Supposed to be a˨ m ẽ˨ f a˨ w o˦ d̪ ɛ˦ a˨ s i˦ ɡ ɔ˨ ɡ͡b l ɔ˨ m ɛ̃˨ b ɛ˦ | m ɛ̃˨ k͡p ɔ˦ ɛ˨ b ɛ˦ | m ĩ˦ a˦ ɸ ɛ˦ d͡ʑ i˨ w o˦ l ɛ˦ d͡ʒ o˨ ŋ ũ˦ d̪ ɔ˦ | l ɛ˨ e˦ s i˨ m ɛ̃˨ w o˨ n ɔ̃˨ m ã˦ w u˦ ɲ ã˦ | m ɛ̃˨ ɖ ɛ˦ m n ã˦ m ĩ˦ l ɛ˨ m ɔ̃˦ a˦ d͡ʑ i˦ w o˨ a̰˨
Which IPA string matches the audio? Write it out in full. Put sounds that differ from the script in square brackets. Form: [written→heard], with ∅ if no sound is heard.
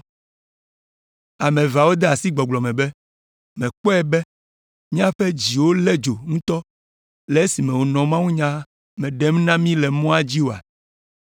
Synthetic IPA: a˨ m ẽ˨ [f→v] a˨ w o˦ d̪ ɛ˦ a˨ s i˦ [ɡ→ɡ͡b] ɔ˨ ɡ͡b l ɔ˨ m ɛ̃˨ b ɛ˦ | m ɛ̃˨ k͡p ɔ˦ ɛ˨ b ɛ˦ | m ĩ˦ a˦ ɸ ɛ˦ d͡ʑ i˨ w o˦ l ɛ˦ d͡ʒ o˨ ŋ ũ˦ [d̪→t̪] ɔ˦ | l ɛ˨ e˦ s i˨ m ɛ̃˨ w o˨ n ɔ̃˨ m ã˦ w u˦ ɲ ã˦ | m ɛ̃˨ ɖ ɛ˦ m n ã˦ m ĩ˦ l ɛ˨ m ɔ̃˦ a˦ d͡ʑ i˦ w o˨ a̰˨